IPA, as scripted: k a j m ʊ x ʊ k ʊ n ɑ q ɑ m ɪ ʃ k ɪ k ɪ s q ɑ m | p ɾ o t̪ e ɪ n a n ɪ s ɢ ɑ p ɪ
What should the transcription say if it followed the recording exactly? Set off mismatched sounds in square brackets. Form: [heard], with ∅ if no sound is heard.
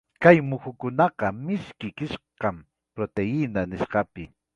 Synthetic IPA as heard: k a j m ʊ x ʊ k ʊ n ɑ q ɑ m ɪ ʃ k ɪ k ɪ [ʃ] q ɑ m | p ɾ o t̪ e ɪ n a n ɪ [ʃ] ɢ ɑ p ɪ

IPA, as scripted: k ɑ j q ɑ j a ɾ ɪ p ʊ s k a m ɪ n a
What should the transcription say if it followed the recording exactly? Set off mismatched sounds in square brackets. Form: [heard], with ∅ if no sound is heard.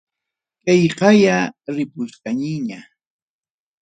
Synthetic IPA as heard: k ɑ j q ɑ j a ɾ ɪ p ʊ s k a [ɲ] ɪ [ɲ] a

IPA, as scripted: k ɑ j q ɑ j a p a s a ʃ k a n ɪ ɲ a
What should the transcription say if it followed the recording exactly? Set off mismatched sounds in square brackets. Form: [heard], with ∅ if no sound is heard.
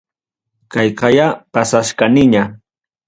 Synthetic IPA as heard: k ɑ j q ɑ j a p a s a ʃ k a n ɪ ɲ a

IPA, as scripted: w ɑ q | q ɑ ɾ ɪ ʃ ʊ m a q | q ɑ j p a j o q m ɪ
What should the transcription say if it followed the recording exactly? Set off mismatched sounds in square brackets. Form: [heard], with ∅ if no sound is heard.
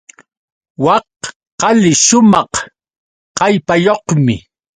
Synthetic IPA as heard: w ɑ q | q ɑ [l] ɪ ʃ ʊ m [ɑ] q | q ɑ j p a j o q m ɪ

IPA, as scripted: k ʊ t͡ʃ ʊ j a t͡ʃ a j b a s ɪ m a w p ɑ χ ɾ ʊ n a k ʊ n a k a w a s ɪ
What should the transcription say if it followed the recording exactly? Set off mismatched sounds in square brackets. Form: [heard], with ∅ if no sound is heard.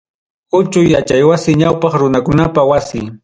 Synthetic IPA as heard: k ʊ t͡ʃ ʊ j a t͡ʃ a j [w] a s ɪ [ɲ] a w p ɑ χ ɾ ʊ n a k ʊ n a [p] a w a s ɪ

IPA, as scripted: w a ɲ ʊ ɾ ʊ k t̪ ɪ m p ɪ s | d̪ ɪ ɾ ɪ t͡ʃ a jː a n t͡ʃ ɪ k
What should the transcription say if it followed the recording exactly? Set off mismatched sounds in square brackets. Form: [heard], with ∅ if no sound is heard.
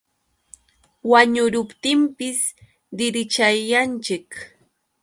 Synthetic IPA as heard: w a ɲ ʊ ɾ ʊ [p] t̪ ɪ m p ɪ s | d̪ ɪ ɾ ɪ t͡ʃ a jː a n t͡ʃ ɪ k

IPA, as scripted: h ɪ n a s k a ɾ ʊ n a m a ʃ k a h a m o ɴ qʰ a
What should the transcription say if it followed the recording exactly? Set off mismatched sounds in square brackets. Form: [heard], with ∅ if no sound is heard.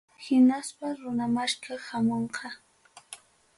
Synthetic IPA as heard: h ɪ n a s [p] a ɾ ʊ n a m a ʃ k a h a m o ɴ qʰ [ɑ]

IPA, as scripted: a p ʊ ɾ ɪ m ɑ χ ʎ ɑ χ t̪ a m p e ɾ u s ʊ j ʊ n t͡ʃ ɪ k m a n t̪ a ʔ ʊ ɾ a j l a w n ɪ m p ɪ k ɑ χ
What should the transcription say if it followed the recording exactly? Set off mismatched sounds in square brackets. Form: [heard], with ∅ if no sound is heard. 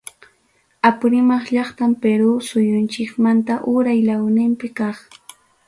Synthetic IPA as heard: a p ʊ ɾ ɪ m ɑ χ ʎ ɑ χ t̪ a m p e ɾ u s ʊ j ʊ n t͡ʃ ɪ k m a n t̪ a ʔ ʊ ɾ a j l a w n ɪ m p ɪ k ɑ χ

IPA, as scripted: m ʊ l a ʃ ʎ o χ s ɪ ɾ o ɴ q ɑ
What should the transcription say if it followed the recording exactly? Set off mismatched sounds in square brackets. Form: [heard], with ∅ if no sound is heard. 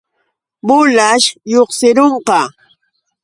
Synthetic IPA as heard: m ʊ l a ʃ [j] o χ s ɪ ɾ o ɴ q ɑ

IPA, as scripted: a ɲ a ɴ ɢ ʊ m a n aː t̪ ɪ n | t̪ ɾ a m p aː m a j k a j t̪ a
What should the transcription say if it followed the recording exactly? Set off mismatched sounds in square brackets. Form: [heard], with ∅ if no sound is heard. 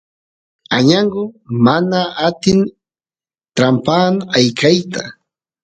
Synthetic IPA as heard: a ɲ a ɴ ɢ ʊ m a n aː t̪ ɪ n | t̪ ɾ a m p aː [n] a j k a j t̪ a

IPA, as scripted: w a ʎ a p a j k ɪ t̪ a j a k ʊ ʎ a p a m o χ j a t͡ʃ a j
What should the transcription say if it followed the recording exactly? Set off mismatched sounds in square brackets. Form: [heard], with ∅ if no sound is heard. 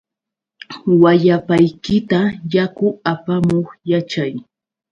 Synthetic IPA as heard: w a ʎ a p a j k ɪ t̪ a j a k ʊ [∅] a p a m o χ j a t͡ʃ a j

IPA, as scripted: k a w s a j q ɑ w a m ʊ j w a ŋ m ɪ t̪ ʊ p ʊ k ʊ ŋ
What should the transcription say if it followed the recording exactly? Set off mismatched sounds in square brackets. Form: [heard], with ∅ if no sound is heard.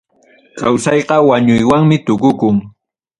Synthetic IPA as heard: k a w s [ɑ] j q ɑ w a [ɲ] ʊ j w a ŋ m ɪ t̪ ʊ [k] ʊ k ʊ ŋ

